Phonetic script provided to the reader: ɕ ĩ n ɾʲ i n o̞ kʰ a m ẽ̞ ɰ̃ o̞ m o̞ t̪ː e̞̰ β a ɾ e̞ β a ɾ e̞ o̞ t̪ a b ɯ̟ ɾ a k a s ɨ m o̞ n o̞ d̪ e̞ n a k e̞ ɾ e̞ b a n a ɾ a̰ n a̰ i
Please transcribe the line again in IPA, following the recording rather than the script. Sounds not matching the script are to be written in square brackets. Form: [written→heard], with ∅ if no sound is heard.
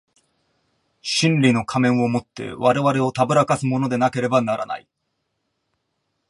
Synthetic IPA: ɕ ĩ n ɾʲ i n o̞ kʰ a m ẽ̞ ɰ̃ o̞ m o̞ t̪ː e̞̰ β a ɾ e̞ β a ɾ e̞ o̞ t̪ a b ɯ̟ ɾ a k a s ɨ m o̞ n o̞ d̪ e̞ n a k e̞ ɾ e̞ b a n a ɾ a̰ n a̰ i